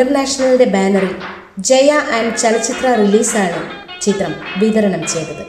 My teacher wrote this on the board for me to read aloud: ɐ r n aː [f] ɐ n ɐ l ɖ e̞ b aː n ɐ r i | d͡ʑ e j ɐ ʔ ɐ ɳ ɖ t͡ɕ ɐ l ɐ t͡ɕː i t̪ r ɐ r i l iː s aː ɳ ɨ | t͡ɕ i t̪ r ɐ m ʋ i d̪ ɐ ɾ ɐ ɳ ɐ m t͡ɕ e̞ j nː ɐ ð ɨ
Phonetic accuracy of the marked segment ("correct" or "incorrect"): incorrect